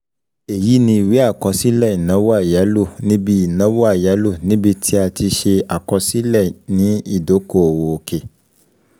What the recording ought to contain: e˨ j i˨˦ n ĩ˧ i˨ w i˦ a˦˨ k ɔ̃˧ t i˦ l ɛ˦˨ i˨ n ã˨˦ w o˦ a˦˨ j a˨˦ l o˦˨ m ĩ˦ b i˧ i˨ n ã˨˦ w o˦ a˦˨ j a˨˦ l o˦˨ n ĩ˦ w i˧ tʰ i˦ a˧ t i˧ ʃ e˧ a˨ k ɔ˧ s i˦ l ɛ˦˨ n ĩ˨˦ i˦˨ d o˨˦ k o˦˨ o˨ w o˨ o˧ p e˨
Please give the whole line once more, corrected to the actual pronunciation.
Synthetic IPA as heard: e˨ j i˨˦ n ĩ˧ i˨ w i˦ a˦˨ k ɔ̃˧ s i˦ l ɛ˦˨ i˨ n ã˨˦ w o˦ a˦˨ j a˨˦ l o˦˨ n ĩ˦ b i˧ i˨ n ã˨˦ w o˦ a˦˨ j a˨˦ l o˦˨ n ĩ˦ b i˧ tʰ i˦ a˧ t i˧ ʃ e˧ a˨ k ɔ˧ s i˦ l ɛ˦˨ n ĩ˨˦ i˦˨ d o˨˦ k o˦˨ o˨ w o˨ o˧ k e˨